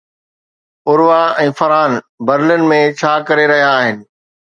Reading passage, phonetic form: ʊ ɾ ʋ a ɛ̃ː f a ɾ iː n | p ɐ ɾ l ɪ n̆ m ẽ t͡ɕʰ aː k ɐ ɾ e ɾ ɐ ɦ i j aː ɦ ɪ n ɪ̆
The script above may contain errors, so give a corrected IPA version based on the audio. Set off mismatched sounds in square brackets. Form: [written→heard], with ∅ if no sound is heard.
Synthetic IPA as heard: ʊ ɾ ʋ a ɛ̃ː f [a→ɐ] ɾ [iː→aː] n | [p→b] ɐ ɾ l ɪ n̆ m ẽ t͡ɕʰ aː k ɐ ɾ e ɾ ɐ ɦ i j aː ɦ ɪ n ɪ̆